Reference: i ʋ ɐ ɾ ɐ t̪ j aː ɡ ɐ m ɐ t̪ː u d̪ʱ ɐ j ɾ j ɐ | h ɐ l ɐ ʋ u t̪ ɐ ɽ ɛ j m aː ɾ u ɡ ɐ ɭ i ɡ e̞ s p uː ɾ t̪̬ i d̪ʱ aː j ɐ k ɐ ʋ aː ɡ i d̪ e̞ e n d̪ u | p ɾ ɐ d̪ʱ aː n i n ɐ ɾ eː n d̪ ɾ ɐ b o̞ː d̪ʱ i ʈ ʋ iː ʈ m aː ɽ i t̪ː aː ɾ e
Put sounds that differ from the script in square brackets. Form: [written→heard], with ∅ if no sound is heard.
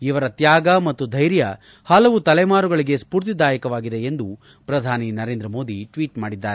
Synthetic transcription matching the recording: i ʋ ɐ ɾ ɐ t̪ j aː ɡ ɐ m ɐ t̪ː u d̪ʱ ɐ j ɾ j ɐ | h ɐ l ɐ ʋ u t̪ ɐ [ɽ→l] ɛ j m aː ɾ u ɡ ɐ ɭ i ɡ e̞ s p uː ɾ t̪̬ i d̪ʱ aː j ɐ k ɐ ʋ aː ɡ i d̪ e̞ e n d̪ u | p ɾ ɐ d̪ʱ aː n i n ɐ ɾ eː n d̪ ɾ ɐ [b→m] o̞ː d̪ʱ i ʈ ʋ iː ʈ m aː ɽ i [t̪ː→d̪ː] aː ɾ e